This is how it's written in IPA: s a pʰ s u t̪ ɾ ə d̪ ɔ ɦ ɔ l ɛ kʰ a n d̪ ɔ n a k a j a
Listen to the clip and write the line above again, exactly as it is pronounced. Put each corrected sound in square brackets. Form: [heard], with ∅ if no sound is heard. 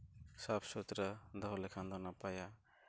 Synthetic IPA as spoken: s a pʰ s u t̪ ɾ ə d̪ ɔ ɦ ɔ l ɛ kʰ a n d̪ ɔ n a [p] a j a